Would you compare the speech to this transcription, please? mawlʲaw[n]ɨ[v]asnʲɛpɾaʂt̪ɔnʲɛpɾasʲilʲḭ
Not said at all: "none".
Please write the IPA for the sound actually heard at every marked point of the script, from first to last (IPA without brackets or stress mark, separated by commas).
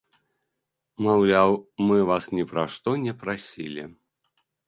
m, v